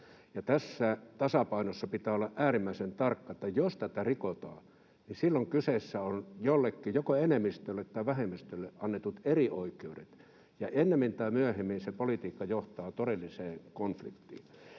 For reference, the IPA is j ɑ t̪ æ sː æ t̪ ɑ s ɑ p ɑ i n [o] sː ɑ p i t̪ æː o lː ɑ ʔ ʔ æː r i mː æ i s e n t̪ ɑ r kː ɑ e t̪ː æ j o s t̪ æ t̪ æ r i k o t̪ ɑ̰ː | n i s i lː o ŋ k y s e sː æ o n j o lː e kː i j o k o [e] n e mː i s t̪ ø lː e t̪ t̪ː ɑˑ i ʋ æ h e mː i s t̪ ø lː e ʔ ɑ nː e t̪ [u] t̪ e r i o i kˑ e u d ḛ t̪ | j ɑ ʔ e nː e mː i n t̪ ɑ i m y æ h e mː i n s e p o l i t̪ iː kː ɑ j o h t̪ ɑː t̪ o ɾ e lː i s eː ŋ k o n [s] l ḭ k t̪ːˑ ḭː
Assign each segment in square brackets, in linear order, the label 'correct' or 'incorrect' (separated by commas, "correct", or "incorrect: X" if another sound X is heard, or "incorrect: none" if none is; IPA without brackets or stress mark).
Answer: correct, correct, correct, incorrect: f